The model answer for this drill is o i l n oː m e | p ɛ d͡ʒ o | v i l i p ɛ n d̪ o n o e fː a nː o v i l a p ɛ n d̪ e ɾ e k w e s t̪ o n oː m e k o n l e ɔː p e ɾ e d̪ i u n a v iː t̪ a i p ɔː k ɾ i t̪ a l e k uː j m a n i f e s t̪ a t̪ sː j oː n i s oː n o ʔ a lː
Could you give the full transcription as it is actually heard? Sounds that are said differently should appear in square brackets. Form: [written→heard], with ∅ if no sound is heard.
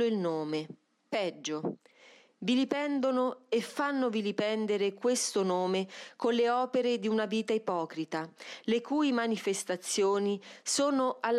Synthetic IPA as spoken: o i l n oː m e | p ɛ [d͡ʒ→d͡ʒː] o | v i l i p ɛ n d̪ o n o e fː a nː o v i l [a→i] p ɛ n d̪ e ɾ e k w e s t̪ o n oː m e k o n l e ɔː p e ɾ e d̪ i u n a v iː t̪ a i p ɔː k ɾ i t̪ a l e k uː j m a n i f e s t̪ a t̪ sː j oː n i s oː n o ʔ a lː